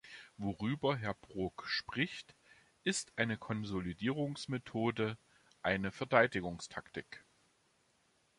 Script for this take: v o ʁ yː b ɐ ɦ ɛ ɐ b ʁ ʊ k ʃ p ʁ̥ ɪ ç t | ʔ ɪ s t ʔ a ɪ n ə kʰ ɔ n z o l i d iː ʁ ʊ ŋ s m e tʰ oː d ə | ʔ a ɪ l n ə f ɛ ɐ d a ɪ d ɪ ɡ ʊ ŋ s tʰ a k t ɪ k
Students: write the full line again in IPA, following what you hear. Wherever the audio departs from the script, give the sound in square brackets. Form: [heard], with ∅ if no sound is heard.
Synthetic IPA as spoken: v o ʁ yː b ɐ ɦ ɛ ɐ b ʁ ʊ k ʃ p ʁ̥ ɪ ç t | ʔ ɪ s t ʔ a ɪ n ə kʰ ɔ n z o l i d iː ʁ ʊ ŋ s m e tʰ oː d ə | ʔ a ɪ [∅] n ə f ɛ ɐ d a ɪ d ɪ ɡ ʊ ŋ s tʰ a k t ɪ k